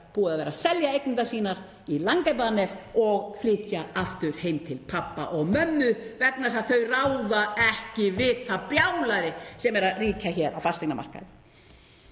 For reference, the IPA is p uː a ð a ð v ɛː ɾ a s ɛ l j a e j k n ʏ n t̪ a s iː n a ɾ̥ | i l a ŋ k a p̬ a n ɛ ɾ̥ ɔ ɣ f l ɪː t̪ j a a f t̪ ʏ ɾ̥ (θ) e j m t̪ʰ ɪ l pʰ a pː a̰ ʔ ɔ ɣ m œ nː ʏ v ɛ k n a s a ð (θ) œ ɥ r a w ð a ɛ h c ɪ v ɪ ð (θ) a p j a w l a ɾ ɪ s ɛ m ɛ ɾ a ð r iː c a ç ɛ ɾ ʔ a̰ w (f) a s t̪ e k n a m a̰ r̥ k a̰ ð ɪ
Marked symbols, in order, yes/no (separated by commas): no, yes, yes, yes